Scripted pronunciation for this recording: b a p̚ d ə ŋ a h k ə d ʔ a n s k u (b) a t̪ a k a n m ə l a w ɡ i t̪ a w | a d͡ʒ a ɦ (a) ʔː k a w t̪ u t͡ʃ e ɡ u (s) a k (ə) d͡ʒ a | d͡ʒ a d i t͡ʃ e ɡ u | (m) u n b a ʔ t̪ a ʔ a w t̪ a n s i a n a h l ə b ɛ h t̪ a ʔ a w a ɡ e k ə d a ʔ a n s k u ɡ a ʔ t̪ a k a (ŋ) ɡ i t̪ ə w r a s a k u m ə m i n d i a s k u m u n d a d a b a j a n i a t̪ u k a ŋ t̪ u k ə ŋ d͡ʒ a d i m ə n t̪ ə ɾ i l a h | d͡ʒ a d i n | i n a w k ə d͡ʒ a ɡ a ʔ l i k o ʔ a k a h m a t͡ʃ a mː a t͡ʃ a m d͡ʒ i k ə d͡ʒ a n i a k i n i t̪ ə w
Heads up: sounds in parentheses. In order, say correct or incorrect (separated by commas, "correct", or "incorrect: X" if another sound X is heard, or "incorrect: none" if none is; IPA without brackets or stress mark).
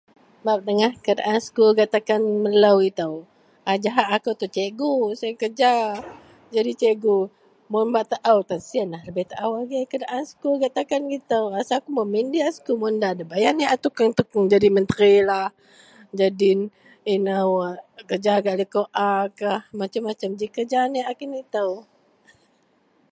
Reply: incorrect: ɡ, correct, correct, correct, correct, incorrect: n